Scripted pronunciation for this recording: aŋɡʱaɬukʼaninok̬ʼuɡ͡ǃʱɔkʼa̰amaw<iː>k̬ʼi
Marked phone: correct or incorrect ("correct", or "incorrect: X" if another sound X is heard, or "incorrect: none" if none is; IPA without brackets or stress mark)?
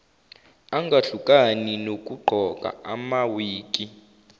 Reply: correct